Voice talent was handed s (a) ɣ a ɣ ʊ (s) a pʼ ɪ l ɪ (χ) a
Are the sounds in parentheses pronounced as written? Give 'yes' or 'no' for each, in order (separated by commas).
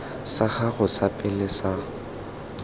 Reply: yes, yes, no